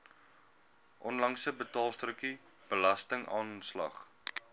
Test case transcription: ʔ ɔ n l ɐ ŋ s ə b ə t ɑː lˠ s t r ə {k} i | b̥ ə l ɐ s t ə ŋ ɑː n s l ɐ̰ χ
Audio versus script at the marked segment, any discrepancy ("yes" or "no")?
no